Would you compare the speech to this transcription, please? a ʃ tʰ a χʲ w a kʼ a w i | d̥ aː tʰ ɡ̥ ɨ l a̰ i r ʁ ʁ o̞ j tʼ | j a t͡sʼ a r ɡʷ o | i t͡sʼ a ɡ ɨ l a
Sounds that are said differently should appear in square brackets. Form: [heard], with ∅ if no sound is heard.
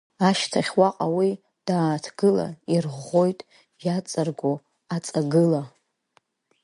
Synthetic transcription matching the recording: a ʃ tʰ a χʲ w a [qʼ] a w i | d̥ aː tʰ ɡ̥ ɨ l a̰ i r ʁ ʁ o̞ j tʼ | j a t͡sʼ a r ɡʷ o | [a] t͡sʼ a ɡ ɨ l a